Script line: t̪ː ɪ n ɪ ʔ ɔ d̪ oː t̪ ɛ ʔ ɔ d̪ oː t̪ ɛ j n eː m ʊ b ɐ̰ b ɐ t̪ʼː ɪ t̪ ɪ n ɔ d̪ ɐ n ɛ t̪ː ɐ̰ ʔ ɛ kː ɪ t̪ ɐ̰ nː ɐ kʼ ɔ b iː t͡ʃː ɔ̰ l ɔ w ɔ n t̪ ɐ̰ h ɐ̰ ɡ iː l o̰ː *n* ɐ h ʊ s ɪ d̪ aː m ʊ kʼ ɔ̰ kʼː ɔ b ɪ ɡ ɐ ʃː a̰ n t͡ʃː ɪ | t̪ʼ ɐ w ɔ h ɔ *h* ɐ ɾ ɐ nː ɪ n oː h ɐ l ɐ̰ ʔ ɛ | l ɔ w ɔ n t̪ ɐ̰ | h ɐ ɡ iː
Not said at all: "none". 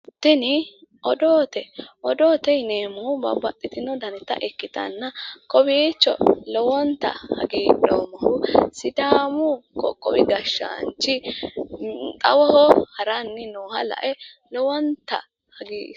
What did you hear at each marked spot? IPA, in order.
m, h

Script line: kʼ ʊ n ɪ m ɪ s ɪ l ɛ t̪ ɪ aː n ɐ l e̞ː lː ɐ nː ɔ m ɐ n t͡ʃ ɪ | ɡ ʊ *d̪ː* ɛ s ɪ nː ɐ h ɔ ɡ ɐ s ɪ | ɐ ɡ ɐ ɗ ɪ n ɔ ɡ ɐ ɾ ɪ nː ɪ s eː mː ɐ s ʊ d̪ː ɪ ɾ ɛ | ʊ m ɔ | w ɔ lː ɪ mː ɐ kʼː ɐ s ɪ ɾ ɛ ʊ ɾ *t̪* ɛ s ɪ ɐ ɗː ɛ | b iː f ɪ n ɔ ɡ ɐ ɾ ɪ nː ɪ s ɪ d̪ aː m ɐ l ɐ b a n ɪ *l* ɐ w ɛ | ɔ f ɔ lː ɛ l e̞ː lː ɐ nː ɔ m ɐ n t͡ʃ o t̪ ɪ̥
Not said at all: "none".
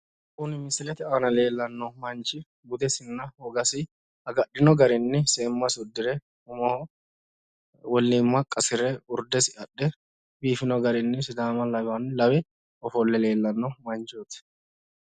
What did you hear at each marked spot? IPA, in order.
d̪, d̪, l

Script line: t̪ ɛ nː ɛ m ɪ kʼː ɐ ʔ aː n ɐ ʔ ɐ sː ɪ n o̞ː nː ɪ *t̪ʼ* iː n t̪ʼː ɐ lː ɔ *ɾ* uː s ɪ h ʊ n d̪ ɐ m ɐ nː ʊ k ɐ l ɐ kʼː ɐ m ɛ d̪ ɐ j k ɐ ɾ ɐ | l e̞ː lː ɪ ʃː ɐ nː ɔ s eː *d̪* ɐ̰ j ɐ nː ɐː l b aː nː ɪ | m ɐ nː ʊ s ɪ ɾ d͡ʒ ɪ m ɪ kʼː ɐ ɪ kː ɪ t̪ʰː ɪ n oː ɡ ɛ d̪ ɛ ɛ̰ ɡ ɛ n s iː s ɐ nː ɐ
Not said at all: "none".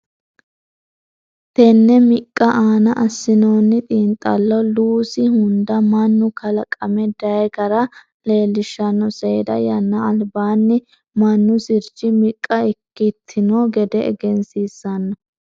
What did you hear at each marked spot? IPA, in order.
t̪ʼ, l, d̪

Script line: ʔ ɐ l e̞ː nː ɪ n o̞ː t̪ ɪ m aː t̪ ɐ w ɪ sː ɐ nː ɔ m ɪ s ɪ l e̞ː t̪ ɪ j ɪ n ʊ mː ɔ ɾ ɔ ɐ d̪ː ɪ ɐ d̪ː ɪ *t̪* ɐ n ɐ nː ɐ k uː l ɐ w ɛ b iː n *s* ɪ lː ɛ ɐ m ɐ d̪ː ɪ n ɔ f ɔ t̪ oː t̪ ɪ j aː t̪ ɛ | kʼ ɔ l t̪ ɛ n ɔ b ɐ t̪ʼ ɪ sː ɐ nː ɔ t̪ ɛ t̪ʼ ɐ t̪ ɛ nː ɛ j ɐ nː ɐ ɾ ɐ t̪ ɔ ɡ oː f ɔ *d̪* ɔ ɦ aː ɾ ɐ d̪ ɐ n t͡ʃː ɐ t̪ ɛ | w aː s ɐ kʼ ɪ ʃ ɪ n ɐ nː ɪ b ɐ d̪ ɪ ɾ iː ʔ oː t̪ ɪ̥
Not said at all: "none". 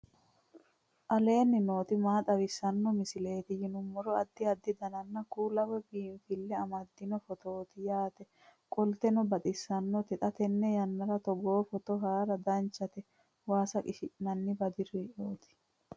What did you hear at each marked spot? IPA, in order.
d̪, f, t̪

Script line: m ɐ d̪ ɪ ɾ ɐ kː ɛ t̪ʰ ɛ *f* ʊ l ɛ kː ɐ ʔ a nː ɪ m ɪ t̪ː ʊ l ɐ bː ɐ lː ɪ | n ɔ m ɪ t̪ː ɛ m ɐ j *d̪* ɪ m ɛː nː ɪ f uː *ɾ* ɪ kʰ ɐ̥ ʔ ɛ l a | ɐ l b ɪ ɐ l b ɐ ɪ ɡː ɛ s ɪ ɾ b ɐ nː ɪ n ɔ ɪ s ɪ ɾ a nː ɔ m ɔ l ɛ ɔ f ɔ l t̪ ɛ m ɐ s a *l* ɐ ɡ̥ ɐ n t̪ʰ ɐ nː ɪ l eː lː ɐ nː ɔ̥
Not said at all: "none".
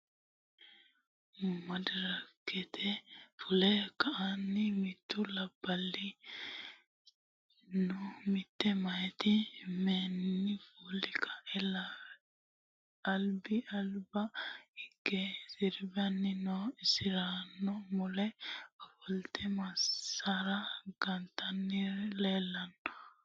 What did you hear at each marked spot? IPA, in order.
f, t̪, l, ɾ

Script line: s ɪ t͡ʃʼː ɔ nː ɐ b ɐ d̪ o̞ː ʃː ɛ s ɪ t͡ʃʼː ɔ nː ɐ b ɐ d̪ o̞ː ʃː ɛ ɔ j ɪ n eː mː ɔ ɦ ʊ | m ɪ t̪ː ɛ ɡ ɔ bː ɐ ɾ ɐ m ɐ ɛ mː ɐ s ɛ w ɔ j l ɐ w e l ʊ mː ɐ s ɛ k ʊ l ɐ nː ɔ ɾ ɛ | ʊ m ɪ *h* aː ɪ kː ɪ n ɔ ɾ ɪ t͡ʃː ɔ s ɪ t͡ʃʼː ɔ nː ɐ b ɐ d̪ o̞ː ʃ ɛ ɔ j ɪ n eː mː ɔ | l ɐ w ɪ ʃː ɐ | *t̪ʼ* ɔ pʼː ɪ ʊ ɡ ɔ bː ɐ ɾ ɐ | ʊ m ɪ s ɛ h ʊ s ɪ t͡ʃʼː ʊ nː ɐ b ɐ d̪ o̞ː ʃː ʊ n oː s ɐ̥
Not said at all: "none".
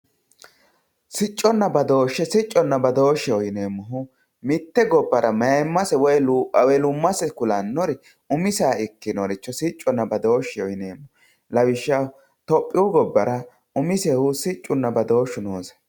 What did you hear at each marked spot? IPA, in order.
s, t̪

